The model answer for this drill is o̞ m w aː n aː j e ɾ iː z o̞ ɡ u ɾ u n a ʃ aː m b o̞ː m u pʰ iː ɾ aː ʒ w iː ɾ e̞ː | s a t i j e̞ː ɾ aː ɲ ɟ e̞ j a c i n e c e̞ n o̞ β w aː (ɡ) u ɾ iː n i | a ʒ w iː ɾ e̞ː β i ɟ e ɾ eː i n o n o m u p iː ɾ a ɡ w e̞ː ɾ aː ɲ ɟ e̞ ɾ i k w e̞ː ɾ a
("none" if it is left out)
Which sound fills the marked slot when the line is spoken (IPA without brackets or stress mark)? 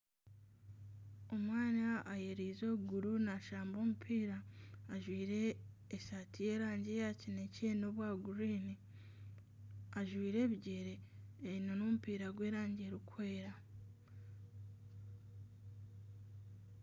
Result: ɡ